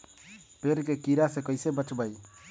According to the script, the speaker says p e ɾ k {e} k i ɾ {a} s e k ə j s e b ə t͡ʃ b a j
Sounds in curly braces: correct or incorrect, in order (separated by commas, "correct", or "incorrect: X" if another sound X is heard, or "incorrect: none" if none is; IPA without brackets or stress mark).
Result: correct, correct